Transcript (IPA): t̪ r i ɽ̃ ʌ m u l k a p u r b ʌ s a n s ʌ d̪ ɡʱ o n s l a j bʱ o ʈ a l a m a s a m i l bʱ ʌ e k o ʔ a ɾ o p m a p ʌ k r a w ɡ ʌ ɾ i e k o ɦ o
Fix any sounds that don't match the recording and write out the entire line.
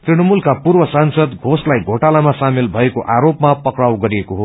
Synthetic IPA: t̪ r i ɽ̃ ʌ m u l k a p u r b ʌ s a n s ʌ d̪ ɡʱ o s l a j ɡʱ o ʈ a l a m a s a m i l bʱ ʌ e k o ʔ a ɾ o p m a p ʌ k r a w ɡ ʌ ɾ i e k o ɦ o